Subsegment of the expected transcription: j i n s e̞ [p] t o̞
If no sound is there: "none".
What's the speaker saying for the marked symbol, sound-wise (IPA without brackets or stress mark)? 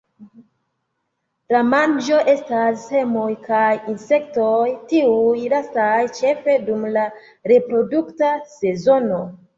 k